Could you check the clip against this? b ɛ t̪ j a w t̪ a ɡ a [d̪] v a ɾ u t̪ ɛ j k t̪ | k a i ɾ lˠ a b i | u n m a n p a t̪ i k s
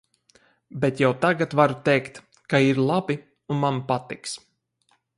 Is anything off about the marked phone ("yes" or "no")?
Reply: yes